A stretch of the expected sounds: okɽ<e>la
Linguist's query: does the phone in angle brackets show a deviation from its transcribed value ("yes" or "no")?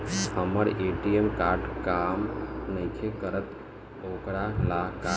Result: yes